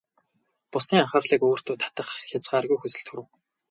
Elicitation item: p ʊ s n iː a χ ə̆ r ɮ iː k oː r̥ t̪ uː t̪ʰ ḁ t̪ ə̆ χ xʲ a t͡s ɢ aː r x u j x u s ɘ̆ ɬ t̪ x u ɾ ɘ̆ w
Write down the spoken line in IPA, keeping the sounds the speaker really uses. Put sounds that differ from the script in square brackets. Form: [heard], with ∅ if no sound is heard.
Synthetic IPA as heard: p ʊ s n iː a χ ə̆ r ɮ iː k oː r̥ t̪ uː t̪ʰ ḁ t̪ ə̆ χ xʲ a t͡s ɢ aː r [ɣ] u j x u s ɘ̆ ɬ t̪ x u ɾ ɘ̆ w